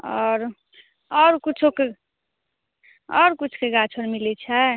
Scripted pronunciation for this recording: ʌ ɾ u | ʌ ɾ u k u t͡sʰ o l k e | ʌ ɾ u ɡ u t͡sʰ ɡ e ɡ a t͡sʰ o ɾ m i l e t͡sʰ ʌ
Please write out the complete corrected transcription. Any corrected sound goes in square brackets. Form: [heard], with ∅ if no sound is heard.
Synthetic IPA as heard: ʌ ɾ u | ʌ ɾ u k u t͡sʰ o [∅] k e | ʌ ɾ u [k] u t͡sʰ [k] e ɡ a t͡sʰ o ɾ m i l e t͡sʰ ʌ